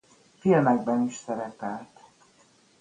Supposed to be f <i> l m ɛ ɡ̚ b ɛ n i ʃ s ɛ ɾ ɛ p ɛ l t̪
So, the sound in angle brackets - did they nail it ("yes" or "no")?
yes